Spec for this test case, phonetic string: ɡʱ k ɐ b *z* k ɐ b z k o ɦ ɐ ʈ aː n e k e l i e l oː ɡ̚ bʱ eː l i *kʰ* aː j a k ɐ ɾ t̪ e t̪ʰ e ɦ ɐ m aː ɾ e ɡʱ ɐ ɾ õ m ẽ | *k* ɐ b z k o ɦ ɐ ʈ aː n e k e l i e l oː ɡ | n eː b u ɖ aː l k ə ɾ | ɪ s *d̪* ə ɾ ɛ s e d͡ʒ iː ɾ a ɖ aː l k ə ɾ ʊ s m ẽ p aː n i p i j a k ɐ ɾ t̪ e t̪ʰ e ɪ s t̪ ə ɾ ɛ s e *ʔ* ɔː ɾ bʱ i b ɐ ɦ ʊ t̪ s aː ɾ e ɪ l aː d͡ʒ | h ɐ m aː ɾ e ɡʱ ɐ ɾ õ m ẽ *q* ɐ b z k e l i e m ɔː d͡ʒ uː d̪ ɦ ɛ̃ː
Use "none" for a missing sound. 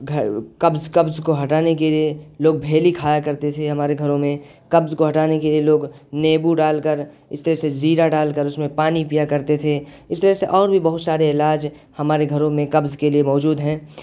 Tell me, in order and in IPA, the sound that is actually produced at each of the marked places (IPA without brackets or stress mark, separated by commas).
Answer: z, kʰ, k, t̪, ʔ, k